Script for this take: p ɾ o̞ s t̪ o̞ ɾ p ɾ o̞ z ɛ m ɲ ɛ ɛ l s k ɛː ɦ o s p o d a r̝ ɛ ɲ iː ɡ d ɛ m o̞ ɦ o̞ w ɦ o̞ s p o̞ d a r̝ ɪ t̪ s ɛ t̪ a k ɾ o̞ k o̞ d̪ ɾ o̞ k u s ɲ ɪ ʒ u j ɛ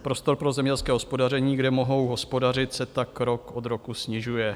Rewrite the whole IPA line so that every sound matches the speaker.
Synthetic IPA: p ɾ o̞ s t̪ o̞ ɾ p ɾ o̞ z ɛ m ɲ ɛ ɛ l s k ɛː ɦ o s p o d a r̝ ɛ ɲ iː ɡ d ɛ m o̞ ɦ o̞ w ɦ o̞ s p o̞ d a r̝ ɪ t̪ s ɛ t̪ a k ɾ o̞ k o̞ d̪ ɾ o̞ k u s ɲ ɪ ʒ u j ɛ